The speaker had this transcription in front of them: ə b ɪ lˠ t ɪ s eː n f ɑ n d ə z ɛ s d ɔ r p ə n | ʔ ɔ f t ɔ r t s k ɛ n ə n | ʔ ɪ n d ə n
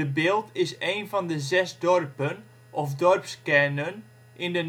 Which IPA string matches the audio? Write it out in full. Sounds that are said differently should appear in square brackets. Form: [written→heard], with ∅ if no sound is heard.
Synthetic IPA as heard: ə b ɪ lˠ t ɪ s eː n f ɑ n d ə z ɛ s d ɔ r p ə n | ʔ ɔ f [t→d] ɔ r [t→p] s k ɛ n ə n | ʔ ɪ n d ə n